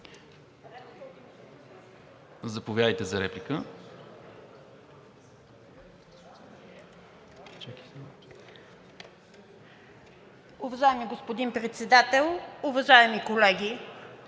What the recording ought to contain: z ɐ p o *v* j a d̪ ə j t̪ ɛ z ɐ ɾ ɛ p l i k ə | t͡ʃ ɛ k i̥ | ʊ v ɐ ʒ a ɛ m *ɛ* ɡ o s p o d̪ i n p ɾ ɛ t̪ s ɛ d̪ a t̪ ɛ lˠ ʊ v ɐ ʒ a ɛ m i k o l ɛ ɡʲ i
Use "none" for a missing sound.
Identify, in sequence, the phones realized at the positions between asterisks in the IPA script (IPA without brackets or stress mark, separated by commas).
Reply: v, i